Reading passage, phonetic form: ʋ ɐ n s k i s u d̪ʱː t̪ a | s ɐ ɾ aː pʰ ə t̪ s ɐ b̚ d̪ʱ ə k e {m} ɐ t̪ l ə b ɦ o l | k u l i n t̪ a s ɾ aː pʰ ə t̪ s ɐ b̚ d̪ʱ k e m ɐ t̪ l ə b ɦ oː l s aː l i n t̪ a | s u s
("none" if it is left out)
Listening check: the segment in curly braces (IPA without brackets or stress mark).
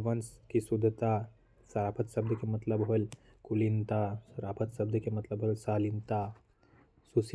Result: m